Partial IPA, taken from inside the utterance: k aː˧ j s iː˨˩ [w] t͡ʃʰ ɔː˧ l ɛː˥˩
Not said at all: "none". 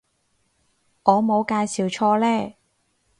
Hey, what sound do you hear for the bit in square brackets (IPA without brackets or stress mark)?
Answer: w